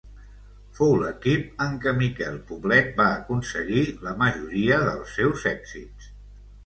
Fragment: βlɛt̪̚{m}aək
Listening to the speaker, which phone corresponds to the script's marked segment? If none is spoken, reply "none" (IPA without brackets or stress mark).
b